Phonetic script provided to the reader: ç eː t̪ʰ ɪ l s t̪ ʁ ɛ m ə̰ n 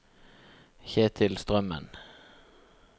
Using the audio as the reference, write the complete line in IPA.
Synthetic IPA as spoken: ç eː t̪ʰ ɪ l s t̪ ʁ œ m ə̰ n